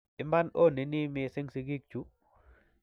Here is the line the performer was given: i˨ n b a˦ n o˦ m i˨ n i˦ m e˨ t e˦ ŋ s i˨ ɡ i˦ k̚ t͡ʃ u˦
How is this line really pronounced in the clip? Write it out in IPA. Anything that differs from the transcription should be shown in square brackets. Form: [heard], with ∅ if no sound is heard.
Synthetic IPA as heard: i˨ [m] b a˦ n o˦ [n] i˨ n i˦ m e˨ [s] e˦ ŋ s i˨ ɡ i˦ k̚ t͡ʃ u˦